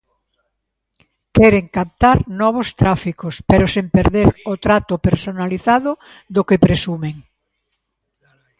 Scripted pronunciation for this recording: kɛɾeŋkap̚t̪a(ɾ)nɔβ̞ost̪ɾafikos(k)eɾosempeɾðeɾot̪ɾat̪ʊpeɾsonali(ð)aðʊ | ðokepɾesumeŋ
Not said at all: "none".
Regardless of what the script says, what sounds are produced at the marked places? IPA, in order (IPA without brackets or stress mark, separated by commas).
ɾ, p, θ